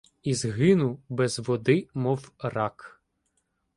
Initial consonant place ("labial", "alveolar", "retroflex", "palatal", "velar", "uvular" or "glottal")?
alveolar